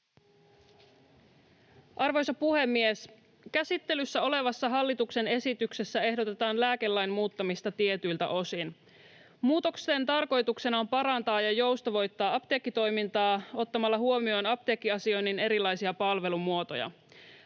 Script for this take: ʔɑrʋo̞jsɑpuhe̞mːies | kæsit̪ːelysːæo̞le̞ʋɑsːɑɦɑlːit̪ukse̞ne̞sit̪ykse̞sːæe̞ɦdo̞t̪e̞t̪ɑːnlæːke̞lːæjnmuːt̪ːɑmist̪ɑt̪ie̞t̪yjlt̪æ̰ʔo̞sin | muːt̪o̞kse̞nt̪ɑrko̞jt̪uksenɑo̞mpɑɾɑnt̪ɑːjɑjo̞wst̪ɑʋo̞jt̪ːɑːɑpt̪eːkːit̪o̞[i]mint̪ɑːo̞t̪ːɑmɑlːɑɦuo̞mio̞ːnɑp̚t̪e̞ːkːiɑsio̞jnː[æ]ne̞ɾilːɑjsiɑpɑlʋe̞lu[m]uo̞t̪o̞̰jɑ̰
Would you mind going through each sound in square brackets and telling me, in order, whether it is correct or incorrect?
incorrect, incorrect, correct

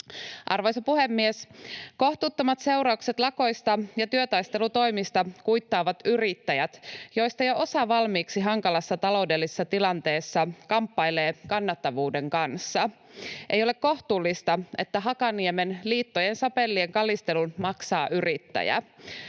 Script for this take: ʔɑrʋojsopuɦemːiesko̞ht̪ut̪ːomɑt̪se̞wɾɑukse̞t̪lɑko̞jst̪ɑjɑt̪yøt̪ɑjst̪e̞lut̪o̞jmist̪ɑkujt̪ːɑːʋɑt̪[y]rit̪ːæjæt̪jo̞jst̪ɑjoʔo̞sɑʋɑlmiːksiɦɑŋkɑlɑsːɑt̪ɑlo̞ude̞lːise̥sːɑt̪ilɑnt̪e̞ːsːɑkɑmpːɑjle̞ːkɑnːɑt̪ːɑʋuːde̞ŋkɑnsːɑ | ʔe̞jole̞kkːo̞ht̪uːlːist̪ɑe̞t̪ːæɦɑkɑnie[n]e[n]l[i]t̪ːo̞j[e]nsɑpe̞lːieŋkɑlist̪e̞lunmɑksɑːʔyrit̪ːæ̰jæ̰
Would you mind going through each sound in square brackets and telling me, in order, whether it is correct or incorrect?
correct, incorrect, correct, incorrect, correct

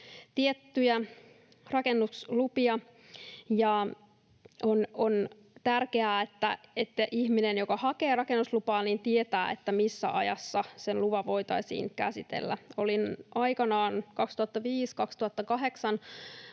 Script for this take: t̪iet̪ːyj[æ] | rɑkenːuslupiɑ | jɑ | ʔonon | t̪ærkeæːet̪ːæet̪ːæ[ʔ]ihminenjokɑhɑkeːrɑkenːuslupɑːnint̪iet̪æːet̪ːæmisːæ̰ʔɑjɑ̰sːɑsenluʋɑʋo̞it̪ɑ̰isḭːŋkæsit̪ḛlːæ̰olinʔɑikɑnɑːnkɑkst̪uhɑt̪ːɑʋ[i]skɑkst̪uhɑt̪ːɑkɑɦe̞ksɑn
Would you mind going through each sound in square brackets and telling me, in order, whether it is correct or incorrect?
correct, correct, incorrect

